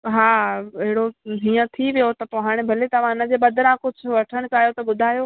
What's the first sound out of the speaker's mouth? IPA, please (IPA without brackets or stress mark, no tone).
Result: ɦ